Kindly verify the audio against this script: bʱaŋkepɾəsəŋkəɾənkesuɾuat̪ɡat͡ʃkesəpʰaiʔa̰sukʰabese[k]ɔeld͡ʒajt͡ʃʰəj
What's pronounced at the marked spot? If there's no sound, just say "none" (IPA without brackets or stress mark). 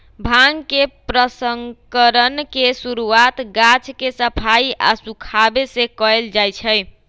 k